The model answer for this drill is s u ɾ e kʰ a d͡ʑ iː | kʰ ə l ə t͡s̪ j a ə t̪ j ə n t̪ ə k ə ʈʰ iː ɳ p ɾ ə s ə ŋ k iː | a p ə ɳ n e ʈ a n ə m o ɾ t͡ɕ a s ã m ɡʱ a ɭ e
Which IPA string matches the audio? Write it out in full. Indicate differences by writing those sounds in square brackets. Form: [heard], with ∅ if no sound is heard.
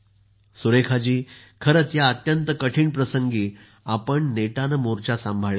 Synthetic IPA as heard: s u ɾ e kʰ a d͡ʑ iː | kʰ ə [ɾ] ə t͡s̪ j a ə t̪ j ə n t̪ ə k ə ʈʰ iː ɳ p ɾ ə s ə ŋ [ɡ] iː | a p ə ɳ n e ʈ a n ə m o ɾ t͡ɕ a s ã m [bʱ] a ɭ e